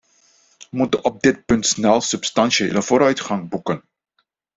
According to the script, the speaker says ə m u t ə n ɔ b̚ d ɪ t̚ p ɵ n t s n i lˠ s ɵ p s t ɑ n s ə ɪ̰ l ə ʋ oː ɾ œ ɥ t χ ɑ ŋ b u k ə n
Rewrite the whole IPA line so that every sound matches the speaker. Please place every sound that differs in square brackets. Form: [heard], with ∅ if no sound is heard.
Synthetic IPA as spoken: ə m u t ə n ɔ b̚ d ɪ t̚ p ɵ n t s n [ɛ] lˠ s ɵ p s t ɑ n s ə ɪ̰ l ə [v] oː ɾ œ ɥ t χ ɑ ŋ b u k ə n